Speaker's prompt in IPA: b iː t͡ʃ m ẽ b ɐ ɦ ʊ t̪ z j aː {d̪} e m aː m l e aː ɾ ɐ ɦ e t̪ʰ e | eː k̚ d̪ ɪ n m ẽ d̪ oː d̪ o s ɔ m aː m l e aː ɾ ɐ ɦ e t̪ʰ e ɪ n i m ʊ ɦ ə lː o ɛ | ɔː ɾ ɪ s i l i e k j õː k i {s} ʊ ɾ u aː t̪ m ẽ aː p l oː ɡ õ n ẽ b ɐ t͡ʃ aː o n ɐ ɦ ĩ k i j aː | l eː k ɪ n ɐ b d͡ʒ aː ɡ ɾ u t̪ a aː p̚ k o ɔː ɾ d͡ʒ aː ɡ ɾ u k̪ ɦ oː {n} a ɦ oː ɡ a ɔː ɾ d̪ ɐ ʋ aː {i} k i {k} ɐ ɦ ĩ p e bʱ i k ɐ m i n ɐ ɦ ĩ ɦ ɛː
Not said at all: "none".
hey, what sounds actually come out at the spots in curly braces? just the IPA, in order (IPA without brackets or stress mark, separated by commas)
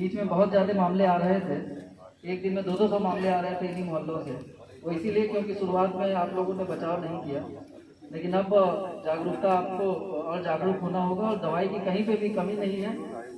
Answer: d̪, ʃ, n, i, k